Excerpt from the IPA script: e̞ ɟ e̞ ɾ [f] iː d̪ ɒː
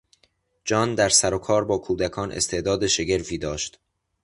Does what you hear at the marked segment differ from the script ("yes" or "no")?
no